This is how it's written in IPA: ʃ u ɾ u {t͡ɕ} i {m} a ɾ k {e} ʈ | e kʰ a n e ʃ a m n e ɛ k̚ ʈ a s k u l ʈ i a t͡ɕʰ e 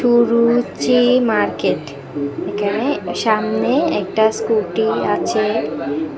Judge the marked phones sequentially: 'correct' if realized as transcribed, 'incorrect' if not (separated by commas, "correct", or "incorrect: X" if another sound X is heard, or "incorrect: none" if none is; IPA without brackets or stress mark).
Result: correct, correct, correct